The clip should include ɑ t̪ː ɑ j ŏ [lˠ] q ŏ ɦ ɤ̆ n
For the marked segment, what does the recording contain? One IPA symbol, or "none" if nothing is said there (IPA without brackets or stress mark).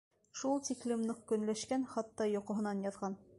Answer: none